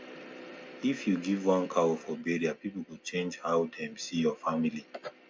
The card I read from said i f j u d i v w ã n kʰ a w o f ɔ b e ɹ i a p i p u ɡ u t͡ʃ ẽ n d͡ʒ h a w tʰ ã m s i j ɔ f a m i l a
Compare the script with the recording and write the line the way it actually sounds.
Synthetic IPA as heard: i f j u ɡ i v w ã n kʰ a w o f ɔ b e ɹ i a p i p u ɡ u t͡ʃ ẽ n d͡ʒ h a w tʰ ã m s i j ɔ f a m i l i